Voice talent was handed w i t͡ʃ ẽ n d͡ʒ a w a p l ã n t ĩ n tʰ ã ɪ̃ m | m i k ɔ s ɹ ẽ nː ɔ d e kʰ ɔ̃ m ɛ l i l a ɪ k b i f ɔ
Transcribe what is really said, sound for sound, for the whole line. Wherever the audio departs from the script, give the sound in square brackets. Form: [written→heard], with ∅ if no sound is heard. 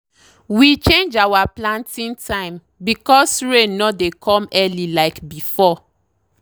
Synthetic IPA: w i t͡ʃ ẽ n d͡ʒ a w a p l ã n t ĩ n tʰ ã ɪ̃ m | [m→b] i k ɔ s ɹ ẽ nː ɔ d e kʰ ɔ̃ m ɛ l i l a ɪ k b i f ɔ